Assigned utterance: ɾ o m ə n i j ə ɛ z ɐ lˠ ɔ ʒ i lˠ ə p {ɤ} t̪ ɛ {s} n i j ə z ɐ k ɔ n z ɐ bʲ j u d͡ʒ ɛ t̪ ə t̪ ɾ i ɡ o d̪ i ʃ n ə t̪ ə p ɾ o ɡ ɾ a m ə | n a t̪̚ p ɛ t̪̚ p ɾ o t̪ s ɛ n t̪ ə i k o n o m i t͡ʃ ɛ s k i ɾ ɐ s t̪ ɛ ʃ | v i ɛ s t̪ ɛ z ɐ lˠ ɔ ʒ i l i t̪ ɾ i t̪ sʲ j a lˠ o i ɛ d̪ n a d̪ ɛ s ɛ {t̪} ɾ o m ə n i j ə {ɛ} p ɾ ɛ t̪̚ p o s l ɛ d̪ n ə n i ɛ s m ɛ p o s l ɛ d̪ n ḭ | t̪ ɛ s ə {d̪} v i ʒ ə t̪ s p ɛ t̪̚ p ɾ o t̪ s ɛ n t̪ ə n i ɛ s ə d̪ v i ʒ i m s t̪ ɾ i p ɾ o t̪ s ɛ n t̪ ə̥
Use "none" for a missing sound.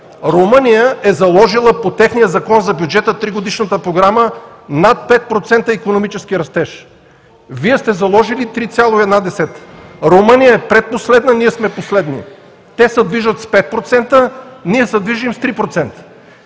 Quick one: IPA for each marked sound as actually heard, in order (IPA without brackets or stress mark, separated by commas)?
o, x, t̪, ɛ, d̪